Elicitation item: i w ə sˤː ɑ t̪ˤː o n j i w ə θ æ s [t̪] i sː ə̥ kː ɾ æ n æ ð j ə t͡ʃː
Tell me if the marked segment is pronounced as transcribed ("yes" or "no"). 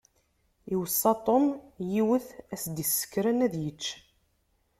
no